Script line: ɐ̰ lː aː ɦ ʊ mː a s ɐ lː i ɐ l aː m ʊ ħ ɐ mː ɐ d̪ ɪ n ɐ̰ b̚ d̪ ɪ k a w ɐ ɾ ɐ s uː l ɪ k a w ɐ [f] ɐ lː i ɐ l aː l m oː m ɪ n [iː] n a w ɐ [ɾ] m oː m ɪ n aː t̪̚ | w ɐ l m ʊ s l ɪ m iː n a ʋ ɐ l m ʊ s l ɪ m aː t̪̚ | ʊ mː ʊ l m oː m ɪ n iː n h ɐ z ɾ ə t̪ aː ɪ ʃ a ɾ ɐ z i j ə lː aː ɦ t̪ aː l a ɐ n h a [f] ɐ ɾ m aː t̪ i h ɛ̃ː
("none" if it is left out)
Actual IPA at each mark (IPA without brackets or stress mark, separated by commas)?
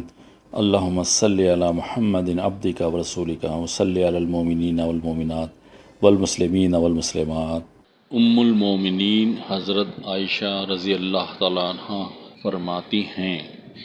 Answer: s, iː, l, f